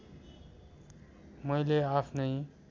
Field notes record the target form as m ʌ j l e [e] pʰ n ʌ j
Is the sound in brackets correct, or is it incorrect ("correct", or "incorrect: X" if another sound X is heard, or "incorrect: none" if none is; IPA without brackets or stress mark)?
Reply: incorrect: a